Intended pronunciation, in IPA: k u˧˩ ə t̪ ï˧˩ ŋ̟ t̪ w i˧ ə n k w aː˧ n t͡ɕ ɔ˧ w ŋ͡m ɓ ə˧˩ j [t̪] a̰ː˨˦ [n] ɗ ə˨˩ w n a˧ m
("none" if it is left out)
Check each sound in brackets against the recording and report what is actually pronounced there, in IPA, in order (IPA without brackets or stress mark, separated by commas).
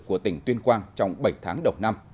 t̪ʰ, ŋ